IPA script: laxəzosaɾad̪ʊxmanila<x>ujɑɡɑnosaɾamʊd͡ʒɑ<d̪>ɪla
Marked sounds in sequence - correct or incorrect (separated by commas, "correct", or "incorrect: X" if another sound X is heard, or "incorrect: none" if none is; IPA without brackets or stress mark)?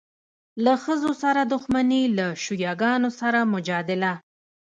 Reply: incorrect: ʃ, correct